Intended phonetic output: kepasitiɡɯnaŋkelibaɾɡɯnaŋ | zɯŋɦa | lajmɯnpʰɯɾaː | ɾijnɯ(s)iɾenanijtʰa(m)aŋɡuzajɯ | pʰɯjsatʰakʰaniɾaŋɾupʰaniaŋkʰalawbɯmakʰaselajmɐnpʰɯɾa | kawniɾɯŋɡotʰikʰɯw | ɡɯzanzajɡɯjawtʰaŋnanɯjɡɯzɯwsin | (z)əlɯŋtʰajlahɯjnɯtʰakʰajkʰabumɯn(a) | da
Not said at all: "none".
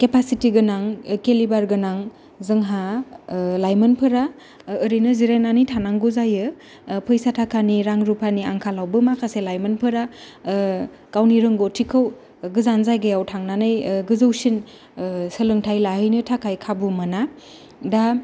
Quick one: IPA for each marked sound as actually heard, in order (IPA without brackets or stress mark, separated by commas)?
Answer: z, n, s, a